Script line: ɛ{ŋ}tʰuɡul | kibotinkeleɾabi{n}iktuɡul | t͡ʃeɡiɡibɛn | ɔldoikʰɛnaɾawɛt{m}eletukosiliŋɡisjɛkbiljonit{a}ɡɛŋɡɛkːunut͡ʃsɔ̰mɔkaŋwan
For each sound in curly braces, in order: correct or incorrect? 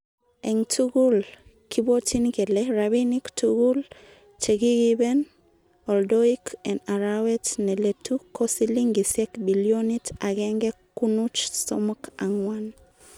correct, correct, incorrect: n, correct

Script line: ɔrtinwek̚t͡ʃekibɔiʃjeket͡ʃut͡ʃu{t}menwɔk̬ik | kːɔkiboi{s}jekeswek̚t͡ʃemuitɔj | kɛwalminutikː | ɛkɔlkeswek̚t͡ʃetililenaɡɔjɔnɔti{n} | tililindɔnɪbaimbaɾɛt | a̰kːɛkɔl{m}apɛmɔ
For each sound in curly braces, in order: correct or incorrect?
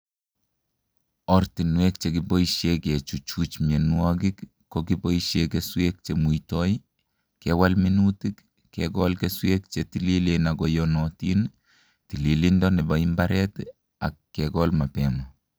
incorrect: t͡ʃ, incorrect: ʃ, correct, correct

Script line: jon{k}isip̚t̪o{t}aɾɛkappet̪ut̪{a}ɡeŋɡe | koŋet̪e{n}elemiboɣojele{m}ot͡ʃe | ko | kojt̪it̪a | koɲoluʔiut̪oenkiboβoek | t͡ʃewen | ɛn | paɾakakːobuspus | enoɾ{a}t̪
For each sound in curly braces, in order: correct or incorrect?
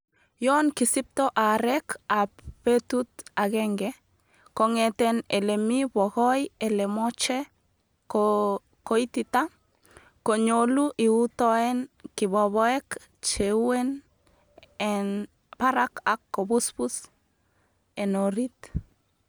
correct, incorrect: ʔ, correct, correct, correct, incorrect: i

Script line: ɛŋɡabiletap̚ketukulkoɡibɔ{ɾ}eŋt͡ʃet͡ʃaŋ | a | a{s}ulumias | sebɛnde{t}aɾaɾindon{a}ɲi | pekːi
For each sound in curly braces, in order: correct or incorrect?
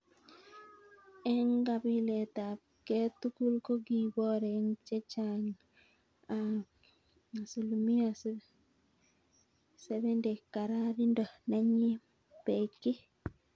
correct, correct, incorrect: k, correct

